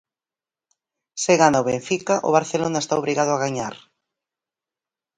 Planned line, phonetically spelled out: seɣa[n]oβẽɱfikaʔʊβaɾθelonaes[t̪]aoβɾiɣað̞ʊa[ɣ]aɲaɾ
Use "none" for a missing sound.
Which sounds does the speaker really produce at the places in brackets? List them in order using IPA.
n, t̪, ɣ

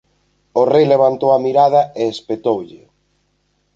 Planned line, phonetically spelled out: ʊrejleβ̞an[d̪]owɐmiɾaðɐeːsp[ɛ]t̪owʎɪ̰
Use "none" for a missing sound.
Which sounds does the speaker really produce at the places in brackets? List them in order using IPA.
t̪, e

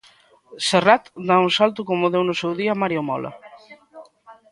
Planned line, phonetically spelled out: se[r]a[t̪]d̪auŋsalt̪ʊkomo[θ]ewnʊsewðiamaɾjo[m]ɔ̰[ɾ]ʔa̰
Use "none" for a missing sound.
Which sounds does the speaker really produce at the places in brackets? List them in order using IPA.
r, t̪, ð, m, l

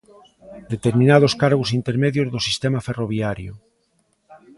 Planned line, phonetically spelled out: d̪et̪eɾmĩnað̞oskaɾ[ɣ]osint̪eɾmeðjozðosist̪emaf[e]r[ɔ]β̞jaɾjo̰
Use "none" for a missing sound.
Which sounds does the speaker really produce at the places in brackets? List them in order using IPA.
ɣ, e, o

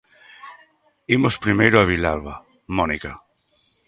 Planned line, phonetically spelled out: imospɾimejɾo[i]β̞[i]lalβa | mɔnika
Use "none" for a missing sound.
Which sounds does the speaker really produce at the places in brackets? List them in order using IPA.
a, i

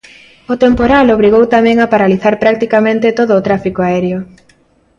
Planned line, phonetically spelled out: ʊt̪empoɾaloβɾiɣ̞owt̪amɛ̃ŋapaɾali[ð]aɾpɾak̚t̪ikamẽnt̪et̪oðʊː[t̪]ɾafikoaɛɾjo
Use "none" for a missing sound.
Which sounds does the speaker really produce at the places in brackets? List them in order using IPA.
θ, t̪

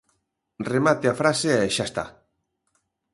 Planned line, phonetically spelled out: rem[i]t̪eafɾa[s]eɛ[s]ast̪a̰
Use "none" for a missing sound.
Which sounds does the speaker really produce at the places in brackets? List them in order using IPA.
a, s, ʃ

